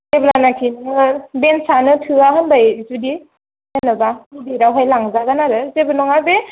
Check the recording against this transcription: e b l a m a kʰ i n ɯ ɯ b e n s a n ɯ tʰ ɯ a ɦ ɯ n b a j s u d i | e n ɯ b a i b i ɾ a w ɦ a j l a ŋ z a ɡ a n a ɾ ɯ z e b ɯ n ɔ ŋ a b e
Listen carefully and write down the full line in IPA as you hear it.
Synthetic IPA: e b l a n a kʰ i n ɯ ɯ b e n s a n ɯ tʰ ɯ a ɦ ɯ n b a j z u d i | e n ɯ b a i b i ɾ a w ɦ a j l a ŋ z a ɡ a n a ɾ ɯ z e b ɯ n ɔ ŋ a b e